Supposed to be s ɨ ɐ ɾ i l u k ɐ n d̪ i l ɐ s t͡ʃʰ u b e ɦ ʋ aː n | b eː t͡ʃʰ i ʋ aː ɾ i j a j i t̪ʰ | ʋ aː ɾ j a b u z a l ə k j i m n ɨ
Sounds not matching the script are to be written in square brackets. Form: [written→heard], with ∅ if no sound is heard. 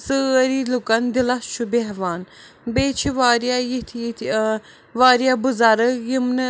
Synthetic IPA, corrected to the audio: s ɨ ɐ ɾ i l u k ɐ n d̪ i l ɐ s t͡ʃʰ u b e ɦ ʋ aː n | b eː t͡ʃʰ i ʋ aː ɾ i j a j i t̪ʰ | ʋ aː ɾ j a b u z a [l→ɾ] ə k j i m n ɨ